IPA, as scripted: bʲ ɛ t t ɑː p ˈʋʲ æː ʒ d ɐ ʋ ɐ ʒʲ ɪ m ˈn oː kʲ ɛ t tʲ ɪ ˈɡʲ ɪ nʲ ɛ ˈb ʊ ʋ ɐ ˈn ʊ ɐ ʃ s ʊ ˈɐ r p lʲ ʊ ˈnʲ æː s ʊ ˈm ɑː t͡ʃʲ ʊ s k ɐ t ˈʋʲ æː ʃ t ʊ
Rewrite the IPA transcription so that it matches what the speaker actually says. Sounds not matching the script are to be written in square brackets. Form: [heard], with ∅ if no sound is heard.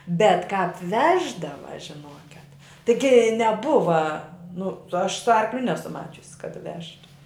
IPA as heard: bʲ ɛ t [k] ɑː p ˈʋʲ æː ʒ d ɐ ʋ ɐ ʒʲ ɪ [∅] ˈn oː kʲ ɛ t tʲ ɪ ˈɡʲ ɪ nʲ ɛ ˈb ʊ ʋ ɐ ˈn ʊ ɐ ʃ s ʊ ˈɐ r [k] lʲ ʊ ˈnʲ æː s ʊ ˈm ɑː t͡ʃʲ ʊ s k ɐ t ˈʋʲ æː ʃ t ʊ